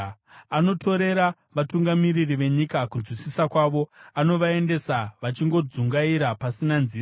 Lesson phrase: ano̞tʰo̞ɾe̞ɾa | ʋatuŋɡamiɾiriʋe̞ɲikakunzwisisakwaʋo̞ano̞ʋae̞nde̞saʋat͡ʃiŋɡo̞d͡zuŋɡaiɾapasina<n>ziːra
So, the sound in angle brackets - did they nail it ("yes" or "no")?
yes